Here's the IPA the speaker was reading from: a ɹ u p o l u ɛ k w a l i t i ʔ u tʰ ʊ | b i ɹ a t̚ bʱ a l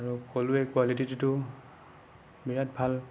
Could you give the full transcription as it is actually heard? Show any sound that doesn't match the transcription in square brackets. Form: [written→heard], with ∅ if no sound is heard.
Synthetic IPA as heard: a ɹ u [p→k] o l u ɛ k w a l i t i [ʔ→t] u [tʰ→t] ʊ | b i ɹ a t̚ bʱ a l